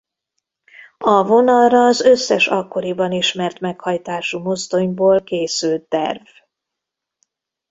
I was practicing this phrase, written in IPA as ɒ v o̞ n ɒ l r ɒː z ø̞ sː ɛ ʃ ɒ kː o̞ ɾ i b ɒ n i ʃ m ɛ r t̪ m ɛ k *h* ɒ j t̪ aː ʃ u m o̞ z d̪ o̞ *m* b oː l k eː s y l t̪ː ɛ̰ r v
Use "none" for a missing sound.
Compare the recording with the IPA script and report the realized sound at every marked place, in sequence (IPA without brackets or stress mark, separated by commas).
h, ɲ